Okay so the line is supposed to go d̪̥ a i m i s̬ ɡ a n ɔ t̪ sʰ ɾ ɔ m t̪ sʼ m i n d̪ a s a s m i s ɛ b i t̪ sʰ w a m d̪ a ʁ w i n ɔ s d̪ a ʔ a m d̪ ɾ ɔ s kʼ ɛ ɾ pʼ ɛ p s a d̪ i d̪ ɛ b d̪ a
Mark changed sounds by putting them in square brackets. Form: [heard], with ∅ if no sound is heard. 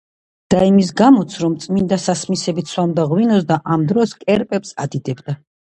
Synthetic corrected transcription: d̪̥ a i m i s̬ ɡ a [m] ɔ t̪ sʰ ɾ ɔ m t̪ sʼ m i n d̪ a s a s m i s ɛ b i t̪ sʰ w a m d̪ a ʁ w i n ɔ s d̪ a ʔ a m d̪ ɾ ɔ s kʼ ɛ ɾ pʼ ɛ p s a d̪ i d̪ ɛ b d̪ a